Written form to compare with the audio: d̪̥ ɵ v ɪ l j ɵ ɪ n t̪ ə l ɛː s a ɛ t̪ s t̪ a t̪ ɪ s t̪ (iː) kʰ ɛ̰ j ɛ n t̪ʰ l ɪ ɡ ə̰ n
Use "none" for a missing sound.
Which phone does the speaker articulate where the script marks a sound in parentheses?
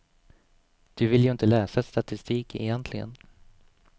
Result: iː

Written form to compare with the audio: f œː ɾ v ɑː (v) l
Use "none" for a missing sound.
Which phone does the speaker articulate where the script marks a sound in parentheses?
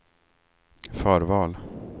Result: none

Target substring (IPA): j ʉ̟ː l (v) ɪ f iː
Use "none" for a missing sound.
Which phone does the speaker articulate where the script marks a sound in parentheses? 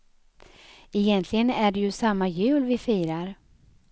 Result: v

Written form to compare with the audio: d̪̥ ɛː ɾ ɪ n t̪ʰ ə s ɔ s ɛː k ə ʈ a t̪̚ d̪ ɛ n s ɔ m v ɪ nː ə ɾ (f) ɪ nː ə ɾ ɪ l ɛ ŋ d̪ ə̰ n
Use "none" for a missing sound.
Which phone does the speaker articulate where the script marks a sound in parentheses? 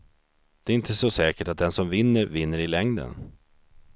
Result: v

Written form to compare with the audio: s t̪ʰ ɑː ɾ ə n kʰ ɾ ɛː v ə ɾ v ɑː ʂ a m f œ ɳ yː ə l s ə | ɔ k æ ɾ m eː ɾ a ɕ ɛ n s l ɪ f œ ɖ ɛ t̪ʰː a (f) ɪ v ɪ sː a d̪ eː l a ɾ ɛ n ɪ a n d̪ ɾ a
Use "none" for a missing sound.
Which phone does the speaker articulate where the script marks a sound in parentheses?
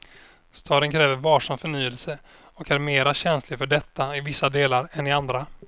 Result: none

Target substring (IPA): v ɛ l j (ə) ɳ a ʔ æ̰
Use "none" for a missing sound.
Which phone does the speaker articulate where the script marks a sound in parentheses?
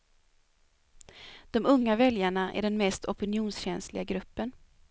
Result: a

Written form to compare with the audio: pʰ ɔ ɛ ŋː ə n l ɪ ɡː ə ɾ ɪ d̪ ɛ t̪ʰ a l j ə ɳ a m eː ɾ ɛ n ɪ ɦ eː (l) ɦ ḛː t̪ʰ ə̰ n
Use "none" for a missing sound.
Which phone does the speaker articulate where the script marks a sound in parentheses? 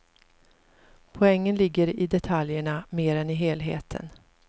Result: l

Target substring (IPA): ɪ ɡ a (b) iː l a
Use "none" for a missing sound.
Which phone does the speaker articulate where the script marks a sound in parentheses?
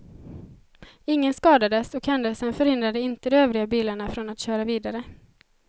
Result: b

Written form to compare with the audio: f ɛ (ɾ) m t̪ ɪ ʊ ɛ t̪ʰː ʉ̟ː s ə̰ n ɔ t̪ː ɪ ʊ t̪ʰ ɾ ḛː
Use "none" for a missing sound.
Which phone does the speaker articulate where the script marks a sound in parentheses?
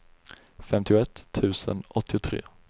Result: none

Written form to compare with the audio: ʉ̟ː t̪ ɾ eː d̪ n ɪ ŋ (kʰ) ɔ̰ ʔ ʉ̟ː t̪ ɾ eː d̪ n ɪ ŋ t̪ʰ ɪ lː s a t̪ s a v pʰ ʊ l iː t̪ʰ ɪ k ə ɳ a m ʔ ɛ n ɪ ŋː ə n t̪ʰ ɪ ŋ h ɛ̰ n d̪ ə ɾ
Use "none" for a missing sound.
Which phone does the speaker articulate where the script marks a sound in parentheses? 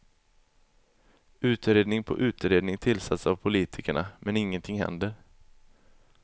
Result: pʰ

